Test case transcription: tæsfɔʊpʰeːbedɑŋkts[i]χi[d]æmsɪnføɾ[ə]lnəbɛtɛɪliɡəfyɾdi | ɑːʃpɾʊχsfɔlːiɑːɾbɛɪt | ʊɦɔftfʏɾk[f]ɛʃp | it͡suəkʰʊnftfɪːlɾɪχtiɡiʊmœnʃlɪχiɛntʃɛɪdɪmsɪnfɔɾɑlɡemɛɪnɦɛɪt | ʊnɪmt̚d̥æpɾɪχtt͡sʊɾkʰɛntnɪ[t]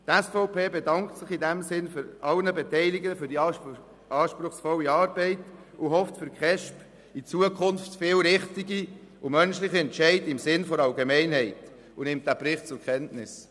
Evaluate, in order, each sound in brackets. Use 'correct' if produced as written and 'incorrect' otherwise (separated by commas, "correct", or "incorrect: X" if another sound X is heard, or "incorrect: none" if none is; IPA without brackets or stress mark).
incorrect: ɪ, correct, incorrect: ɑ, incorrect: χ, incorrect: s